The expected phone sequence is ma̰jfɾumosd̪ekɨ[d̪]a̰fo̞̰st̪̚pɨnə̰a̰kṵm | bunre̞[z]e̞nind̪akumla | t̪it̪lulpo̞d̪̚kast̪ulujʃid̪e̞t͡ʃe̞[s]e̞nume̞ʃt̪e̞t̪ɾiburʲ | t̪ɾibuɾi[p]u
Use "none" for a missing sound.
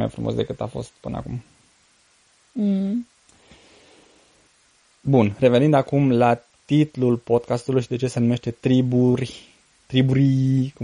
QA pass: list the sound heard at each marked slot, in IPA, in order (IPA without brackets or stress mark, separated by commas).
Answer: t̪, v, s, k